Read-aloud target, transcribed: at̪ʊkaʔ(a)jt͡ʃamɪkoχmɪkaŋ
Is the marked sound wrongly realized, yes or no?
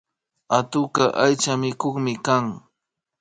no